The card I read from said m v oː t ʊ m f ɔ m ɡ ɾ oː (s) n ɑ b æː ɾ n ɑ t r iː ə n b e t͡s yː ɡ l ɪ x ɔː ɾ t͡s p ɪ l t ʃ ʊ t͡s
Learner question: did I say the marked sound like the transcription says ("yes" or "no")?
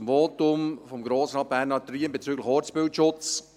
yes